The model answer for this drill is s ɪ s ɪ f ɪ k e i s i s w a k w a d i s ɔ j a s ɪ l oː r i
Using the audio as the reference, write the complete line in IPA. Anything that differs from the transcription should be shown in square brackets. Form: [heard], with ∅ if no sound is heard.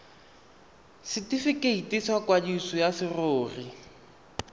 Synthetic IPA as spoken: s ɪ [t] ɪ f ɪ k e i [t] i s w a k w a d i s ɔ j a s ɪ [r] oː r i